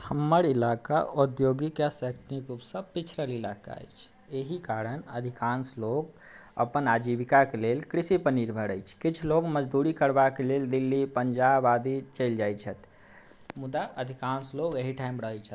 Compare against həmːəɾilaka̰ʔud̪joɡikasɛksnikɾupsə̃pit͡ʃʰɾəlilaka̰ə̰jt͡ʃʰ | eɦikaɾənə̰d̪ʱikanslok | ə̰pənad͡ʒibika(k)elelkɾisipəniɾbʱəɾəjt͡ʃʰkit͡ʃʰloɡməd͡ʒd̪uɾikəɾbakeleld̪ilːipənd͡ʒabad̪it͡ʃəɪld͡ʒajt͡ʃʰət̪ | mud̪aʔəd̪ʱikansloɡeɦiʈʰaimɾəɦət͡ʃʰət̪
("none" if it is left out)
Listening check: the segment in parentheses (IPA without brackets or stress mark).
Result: k